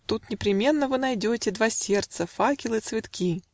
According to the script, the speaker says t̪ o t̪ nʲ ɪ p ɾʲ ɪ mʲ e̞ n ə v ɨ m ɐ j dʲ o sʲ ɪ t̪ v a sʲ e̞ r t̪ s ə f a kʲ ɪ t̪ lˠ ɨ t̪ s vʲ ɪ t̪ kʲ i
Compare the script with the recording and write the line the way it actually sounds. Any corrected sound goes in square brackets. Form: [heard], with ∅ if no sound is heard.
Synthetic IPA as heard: t̪ [u] t̪ nʲ ɪ p ɾʲ ɪ mʲ e̞ [nː] ə v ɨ [n] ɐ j dʲ o [tʲ] ɪ [d̪] v a sʲ e̞ r t̪ s ə f a kʲ ɪ [∅] lˠ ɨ t̪ s vʲ ɪ t̪ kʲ i